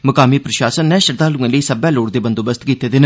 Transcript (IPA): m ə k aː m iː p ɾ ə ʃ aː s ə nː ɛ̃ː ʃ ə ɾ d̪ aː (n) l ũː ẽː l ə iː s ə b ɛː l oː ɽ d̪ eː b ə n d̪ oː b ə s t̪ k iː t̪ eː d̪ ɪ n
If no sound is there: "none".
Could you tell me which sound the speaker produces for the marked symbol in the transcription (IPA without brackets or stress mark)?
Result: none